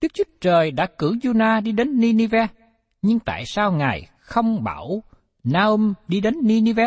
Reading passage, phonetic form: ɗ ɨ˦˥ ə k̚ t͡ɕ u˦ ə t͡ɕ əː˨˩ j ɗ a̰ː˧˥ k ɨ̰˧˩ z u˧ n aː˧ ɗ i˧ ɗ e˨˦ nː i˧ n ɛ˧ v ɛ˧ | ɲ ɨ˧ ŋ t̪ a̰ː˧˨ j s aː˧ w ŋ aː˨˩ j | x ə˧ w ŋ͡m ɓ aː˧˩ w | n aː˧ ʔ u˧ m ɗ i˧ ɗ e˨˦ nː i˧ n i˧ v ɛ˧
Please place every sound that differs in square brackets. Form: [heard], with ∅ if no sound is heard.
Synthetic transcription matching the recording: ɗ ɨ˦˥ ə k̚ t͡ɕ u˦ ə t͡ɕ əː˨˩ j ɗ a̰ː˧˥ k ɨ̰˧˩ z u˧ n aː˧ ɗ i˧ ɗ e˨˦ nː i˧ n [i˧] v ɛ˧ | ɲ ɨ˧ ŋ t̪ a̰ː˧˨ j s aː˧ w ŋ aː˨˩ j | x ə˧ w ŋ͡m ɓ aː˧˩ w | n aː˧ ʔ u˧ m ɗ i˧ ɗ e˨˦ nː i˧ n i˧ v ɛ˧